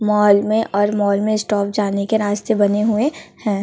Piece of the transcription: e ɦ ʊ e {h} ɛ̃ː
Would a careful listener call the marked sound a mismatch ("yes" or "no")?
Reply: no